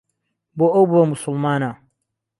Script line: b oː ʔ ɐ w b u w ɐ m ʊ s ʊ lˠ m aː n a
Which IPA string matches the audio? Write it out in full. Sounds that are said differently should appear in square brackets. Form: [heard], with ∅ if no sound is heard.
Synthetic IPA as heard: b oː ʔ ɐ w b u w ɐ m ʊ s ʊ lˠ m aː n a